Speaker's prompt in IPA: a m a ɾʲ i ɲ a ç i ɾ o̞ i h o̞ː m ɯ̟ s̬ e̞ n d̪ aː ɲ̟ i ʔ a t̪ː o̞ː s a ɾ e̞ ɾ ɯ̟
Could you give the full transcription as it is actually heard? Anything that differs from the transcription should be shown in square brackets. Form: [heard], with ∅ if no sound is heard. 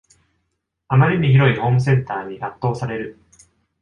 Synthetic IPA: a m a ɾʲ i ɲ [i] ç i ɾ o̞ i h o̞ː m ɯ̟ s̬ [ẽ̞] n [t̪] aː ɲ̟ i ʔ a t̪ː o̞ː s a ɾ e̞ ɾ ɯ̟